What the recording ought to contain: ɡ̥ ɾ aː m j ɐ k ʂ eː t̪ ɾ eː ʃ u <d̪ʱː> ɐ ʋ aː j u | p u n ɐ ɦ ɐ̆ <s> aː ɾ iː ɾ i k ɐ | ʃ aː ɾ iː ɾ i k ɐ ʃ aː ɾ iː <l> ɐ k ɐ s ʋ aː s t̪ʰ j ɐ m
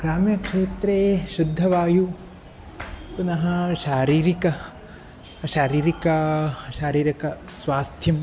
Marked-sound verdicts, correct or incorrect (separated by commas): correct, incorrect, incorrect